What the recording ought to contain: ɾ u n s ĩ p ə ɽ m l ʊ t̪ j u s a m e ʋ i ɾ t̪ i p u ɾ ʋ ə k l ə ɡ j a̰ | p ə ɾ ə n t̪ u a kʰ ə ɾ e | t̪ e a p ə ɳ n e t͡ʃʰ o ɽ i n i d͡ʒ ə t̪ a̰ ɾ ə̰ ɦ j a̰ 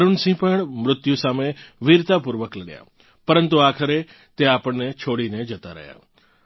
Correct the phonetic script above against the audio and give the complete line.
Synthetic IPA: ɾ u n s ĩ p ə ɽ m ɾ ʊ t̪ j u s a m e ʋ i ɾ t̪ a p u ɾ ʋ ə k l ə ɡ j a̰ | p ə ɾ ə n t̪ u a kʰ ə ɾ e | t̪ e a p ə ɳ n e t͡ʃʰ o ɽ i n e d͡ʒ ə t̪ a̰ ɾ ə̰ ɦ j a̰